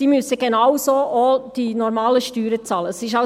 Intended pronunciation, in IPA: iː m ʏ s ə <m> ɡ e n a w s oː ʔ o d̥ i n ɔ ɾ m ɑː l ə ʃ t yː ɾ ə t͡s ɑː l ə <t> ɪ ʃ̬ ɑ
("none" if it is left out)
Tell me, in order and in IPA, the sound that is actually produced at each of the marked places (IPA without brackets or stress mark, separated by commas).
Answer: none, s